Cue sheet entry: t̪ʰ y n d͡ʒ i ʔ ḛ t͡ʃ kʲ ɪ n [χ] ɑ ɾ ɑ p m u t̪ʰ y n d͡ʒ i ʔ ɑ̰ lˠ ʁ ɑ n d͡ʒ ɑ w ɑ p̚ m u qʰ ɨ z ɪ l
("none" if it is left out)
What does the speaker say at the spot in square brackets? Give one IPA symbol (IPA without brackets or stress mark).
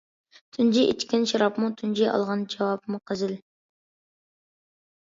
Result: ʃ